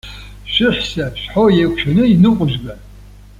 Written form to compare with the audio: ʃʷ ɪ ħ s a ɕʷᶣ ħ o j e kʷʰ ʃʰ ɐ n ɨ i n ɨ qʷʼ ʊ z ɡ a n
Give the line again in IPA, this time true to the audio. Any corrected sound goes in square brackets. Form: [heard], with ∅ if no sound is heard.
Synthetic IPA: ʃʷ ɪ ħ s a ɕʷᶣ ħ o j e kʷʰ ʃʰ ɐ n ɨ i n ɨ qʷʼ ʊ [ʒ] ɡ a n